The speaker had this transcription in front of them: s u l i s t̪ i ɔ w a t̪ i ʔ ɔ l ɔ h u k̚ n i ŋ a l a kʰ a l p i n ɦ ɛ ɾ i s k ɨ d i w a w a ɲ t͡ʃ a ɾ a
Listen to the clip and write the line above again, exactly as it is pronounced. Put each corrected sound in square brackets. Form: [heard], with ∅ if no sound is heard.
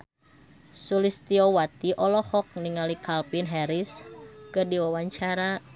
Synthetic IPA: s u l i s t̪ i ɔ w a t̪ i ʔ ɔ l ɔ h [ɔ] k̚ n i ŋ a l [i] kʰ a l p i n ɦ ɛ ɾ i s k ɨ d i w a w a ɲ t͡ʃ a ɾ a

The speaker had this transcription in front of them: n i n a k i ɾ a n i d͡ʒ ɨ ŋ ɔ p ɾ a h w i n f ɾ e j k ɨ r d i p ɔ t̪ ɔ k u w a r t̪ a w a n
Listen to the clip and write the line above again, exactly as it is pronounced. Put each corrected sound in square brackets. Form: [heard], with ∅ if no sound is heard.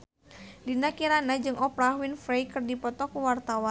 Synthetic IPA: [d] i n a k i ɾ a n [a] d͡ʒ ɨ ŋ ɔ p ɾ a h w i n f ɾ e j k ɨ r d i p ɔ t̪ ɔ k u w a r t̪ a w a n

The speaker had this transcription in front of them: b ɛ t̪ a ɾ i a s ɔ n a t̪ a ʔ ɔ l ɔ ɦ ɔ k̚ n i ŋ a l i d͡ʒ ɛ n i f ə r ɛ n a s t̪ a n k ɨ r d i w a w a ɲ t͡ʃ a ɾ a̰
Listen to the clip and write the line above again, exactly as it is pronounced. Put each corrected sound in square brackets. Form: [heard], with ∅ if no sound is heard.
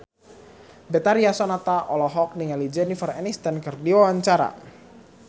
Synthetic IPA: b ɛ t̪ a ɾ i a s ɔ n a t̪ a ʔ ɔ l ɔ ɦ ɔ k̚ n i ŋ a l i d͡ʒ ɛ n i f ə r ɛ n [i] s t̪ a n k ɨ r d i w a w a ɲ t͡ʃ a ɾ a̰

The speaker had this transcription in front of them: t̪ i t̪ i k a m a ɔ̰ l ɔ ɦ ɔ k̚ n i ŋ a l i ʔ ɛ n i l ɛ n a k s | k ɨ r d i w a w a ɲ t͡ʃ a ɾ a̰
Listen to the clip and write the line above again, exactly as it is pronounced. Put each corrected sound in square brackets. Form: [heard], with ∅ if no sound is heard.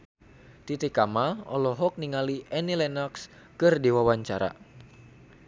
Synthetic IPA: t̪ i t̪ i k a m a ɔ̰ l ɔ ɦ ɔ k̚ n i ŋ a l i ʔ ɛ n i l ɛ n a k s | k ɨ r d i w a w a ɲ t͡ʃ a ɾ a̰

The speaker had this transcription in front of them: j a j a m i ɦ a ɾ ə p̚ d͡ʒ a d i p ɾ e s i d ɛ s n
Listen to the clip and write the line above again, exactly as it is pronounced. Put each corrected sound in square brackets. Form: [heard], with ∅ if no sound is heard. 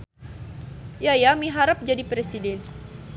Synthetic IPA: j a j a m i ɦ a ɾ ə p̚ d͡ʒ a d i p ɾ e s i d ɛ [∅] n

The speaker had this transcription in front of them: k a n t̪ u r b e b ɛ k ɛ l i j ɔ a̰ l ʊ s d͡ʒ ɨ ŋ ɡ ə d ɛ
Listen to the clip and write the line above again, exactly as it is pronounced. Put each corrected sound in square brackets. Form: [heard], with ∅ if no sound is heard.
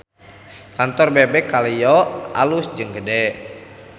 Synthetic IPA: k a n t̪ [ɔ] r b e b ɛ k [a] l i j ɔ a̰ l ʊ s d͡ʒ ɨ ŋ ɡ ə d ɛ

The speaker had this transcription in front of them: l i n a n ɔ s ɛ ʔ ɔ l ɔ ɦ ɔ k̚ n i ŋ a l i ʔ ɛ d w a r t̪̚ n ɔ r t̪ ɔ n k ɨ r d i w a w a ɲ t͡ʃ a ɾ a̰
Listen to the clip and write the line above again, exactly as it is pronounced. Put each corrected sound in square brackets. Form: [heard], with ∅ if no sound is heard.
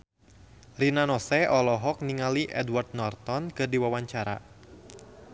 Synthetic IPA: [r] i n a n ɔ s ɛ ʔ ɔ l ɔ ɦ ɔ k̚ n i ŋ a l i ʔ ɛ d w a r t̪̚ n ɔ r t̪ ɔ n k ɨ r d i w a w a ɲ t͡ʃ a ɾ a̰

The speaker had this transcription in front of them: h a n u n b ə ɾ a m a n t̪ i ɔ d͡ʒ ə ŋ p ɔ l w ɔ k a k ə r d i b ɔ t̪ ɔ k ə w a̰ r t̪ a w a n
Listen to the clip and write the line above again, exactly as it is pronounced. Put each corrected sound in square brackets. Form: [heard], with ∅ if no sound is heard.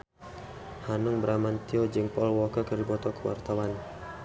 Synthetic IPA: h a n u [ŋ] b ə ɾ a m a n t̪ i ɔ d͡ʒ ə ŋ p ɔ l w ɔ k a k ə r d i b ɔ t̪ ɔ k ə w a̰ r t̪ a w a n

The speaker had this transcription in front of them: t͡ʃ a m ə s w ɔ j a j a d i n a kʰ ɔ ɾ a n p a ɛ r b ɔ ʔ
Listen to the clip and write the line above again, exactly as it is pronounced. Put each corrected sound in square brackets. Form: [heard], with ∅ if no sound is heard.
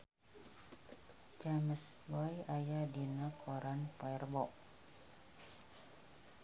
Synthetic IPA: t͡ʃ a m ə s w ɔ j a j a d i n a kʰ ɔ ɾ a n p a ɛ r b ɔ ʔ

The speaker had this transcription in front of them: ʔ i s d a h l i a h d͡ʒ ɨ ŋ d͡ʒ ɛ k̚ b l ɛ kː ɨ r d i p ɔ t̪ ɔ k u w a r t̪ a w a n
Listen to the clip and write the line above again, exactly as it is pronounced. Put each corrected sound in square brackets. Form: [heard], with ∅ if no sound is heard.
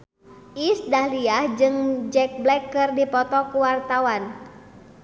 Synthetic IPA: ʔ i s d a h l i a h d͡ʒ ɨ ŋ d͡ʒ ɛ k̚ b l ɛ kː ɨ r d i p ɔ t̪ ɔ k u w a r t̪ a w a n

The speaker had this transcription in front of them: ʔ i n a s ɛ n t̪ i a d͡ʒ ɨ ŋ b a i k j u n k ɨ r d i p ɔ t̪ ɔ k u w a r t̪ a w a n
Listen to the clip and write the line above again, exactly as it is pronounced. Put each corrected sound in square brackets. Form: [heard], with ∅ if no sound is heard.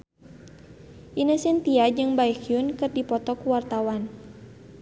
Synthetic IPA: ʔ i n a s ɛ n t̪ i a d͡ʒ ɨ ŋ b a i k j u n k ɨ r d i p ɔ t̪ ɔ k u w a r t̪ a w a n

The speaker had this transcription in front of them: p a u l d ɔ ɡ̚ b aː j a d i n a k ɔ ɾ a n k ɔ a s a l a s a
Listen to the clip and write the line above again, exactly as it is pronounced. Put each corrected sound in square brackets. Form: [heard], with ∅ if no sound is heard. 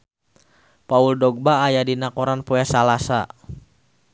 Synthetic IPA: p a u l d ɔ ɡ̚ b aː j a d i n a k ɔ ɾ a n [p] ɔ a s a l a s a

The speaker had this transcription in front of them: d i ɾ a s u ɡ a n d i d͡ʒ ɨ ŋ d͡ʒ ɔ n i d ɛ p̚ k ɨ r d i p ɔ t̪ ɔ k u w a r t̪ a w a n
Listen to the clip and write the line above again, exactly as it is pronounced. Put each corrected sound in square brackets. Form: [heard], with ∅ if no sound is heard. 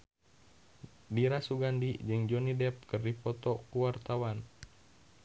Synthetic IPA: d i ɾ a s u ɡ a n d i d͡ʒ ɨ ŋ d͡ʒ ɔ n i d ɛ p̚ k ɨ r d i p ɔ t̪ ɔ k u w a r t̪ a w a n

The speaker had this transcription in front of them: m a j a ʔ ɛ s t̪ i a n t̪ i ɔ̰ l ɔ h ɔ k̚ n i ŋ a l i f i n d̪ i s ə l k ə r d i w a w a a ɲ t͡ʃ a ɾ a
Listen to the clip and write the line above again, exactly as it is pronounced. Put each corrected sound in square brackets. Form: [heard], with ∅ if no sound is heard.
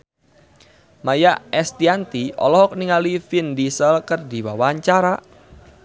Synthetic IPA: m a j a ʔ ɛ s t̪ i a n t̪ i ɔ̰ l ɔ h ɔ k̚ n i ŋ a l i f i n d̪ i s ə l k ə r d i w a w a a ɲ t͡ʃ a ɾ a

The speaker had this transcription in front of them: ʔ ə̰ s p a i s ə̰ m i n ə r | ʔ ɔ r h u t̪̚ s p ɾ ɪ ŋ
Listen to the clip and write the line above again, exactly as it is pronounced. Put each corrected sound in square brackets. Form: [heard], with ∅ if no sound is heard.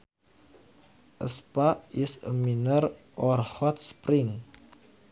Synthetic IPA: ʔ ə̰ s p a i s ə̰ m i n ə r | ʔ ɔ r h [ɔ] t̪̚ s p ɾ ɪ ŋ

